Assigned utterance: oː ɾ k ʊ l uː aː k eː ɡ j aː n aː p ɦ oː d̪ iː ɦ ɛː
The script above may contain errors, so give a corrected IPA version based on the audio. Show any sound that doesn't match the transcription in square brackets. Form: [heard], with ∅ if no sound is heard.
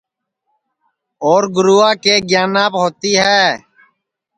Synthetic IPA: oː ɾ [ɡ] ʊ [ɾ] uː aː k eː ɡ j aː n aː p ɦ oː [t̪] iː ɦ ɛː